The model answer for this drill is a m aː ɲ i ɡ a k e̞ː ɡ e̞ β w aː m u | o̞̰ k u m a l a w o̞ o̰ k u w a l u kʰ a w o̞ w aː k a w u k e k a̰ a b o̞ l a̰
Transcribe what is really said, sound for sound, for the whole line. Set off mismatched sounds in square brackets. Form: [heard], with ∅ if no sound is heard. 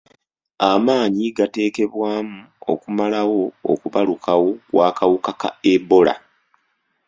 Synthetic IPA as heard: a m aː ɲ i ɡ a [t] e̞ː [k] e̞ β w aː m u | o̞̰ k u m a l a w o̞ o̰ k u [β] a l u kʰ a w o̞ w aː k a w u k [a] k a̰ [e] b o̞ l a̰